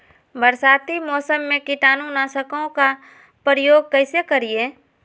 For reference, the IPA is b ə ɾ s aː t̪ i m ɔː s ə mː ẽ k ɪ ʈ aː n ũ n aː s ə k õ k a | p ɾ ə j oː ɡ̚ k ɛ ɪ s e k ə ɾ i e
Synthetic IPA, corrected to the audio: b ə ɾ s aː t̪ i m ɔː s ə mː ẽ k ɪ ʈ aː n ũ n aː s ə k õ k a | p ɾ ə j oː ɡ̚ k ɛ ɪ s e k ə ɾ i e